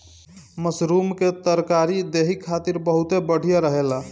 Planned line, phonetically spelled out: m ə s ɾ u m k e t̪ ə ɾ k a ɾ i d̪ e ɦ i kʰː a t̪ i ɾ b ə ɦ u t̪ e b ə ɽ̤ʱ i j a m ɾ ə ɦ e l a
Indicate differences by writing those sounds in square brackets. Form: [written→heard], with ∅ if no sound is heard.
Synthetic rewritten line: m ə s ɾ u m k e t̪ ə ɾ k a ɾ i d̪ e ɦ i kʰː a t̪ i ɾ b ə ɦ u t̪ e b ə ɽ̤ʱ i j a [m→∅] ɾ ə ɦ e l a